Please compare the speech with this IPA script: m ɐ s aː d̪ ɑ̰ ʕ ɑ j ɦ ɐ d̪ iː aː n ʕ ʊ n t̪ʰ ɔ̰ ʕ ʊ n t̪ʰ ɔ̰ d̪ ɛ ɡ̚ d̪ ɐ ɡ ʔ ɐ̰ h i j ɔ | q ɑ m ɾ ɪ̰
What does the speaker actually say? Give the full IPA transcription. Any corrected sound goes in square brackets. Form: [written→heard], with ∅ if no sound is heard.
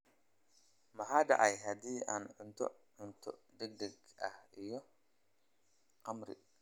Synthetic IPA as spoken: m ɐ [s→ħ] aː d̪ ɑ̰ ʕ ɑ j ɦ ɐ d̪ iː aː n ʕ ʊ n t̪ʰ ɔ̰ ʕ ʊ n t̪ʰ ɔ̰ d̪ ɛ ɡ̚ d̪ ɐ ɡ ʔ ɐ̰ h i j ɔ | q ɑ m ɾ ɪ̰